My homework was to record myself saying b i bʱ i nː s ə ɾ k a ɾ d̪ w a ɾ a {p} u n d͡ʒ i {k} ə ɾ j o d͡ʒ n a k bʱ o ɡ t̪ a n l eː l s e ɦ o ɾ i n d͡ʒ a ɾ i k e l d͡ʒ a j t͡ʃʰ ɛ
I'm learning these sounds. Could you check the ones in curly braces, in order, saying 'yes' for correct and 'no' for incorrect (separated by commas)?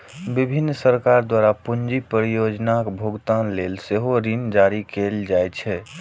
yes, no